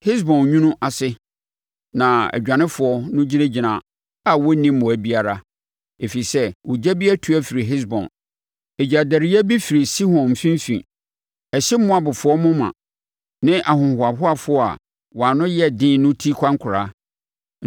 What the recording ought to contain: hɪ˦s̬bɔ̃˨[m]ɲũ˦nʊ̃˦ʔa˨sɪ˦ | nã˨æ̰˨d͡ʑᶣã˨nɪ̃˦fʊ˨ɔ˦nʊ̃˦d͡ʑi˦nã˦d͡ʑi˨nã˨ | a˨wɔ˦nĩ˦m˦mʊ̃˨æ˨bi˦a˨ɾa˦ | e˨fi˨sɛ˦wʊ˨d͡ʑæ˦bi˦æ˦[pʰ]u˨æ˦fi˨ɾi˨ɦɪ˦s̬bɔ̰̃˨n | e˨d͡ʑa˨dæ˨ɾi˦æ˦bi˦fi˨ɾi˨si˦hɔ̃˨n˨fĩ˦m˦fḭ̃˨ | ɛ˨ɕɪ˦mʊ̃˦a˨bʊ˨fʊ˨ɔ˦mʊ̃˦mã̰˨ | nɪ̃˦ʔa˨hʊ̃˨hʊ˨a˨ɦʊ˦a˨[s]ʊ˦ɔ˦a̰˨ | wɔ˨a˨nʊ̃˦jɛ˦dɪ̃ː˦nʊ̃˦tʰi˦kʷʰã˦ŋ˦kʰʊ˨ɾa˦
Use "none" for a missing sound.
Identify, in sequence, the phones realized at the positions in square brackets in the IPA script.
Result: n, tʰ, f

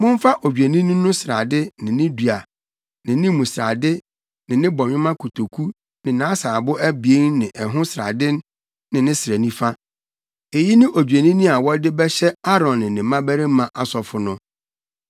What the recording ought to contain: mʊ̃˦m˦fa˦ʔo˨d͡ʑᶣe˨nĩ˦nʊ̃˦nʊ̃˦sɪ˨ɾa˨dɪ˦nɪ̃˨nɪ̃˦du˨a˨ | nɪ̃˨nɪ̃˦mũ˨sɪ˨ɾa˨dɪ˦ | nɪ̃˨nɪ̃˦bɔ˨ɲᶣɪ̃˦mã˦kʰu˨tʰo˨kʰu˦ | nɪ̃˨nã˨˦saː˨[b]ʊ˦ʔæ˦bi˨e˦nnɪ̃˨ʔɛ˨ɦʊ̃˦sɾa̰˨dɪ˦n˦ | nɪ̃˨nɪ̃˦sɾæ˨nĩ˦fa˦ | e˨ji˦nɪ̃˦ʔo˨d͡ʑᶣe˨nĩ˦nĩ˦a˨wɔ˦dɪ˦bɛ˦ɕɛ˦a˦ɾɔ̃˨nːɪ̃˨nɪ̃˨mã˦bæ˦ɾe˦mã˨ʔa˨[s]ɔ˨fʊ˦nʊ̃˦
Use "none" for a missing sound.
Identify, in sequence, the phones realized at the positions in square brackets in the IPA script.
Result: b, s

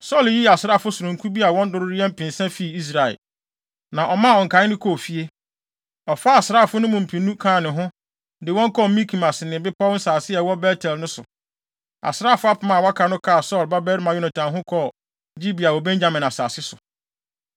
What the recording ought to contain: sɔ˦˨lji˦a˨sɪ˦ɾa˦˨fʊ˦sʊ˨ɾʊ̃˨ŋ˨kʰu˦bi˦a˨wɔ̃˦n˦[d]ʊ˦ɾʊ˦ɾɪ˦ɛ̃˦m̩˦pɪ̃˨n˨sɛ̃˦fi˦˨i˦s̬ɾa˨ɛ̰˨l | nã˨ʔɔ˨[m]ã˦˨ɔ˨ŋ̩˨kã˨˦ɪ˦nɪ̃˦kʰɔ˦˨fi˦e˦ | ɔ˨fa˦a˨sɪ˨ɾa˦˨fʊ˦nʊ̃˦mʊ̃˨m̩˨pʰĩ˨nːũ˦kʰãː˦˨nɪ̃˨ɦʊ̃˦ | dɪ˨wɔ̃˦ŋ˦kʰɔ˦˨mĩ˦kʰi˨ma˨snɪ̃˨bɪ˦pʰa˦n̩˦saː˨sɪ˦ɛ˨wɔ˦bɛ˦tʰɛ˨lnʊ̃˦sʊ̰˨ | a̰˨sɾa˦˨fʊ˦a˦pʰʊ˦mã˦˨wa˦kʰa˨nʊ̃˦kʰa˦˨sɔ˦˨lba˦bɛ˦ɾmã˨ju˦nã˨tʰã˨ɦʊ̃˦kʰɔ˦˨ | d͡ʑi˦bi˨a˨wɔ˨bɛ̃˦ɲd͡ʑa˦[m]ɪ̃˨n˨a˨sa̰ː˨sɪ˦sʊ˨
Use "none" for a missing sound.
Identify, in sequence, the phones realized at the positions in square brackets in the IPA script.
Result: d, m, m

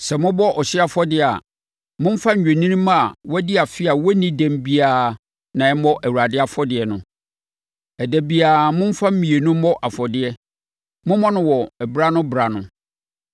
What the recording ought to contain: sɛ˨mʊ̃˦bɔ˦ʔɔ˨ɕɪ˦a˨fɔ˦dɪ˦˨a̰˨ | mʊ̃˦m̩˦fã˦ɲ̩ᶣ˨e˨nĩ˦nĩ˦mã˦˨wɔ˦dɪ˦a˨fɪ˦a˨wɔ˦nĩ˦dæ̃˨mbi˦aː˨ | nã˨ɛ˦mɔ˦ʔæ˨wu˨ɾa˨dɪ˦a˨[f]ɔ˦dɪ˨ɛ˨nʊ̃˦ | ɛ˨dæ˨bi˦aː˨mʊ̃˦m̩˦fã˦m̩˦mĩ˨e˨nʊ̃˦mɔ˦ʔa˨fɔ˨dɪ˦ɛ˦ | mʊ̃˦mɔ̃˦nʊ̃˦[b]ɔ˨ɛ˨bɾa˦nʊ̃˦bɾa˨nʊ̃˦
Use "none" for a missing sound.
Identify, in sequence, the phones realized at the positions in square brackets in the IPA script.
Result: f, w

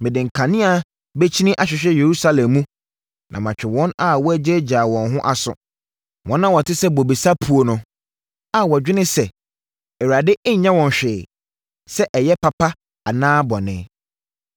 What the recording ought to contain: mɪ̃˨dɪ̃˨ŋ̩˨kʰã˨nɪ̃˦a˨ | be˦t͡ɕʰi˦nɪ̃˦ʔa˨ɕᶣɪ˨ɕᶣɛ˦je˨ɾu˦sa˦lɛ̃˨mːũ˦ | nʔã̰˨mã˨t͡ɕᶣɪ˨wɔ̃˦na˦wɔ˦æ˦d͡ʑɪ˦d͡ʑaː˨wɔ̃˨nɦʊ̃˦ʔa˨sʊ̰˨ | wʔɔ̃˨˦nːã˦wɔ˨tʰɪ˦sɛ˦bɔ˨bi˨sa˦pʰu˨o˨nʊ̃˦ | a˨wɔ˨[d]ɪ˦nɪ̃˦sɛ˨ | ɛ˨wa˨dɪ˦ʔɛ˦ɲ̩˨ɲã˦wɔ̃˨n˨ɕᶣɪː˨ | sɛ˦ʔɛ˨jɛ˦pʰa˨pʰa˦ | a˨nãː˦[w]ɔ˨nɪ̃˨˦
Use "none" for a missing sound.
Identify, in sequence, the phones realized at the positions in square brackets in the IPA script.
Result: d͡ʑᶣ, b

